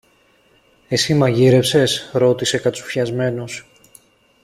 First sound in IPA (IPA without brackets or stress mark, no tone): e̞